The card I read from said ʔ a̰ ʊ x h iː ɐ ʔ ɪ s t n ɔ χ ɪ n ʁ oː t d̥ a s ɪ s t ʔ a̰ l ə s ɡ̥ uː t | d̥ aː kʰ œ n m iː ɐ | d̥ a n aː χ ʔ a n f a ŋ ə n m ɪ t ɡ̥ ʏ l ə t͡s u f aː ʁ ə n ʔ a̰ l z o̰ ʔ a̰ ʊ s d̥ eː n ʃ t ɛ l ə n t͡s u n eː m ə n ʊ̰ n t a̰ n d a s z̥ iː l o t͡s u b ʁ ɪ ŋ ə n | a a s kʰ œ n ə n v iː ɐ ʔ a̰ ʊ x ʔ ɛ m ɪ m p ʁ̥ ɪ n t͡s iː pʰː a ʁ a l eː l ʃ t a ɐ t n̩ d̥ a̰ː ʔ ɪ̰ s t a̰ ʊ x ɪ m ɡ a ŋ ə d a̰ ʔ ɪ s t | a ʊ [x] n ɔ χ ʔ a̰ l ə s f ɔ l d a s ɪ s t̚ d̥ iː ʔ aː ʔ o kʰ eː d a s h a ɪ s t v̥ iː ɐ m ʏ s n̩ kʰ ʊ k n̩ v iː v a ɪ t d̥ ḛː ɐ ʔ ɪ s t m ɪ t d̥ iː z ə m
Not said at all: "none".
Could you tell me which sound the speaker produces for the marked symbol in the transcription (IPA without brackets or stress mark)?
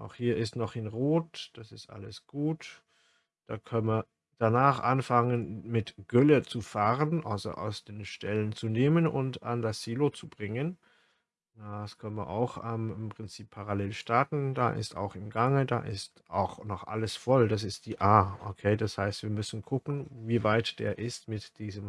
x